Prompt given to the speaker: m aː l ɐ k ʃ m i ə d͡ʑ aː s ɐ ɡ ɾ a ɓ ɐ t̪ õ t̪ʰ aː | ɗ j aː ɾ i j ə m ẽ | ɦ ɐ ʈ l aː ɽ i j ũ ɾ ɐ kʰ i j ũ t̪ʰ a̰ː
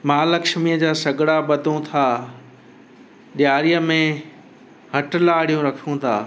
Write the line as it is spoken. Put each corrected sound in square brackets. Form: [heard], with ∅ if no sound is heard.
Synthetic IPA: m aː l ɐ k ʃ m i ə d͡ʑ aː s ɐ ɡ [ɽ] a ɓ ɐ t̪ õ t̪ʰ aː | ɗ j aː ɾ i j ə m ẽ | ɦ ɐ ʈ l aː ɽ i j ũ ɾ ɐ kʰ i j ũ t̪ʰ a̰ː